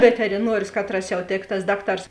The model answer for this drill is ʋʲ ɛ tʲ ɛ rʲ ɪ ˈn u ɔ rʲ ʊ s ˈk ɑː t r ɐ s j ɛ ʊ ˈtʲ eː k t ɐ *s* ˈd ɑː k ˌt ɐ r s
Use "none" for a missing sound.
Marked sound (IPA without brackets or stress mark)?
s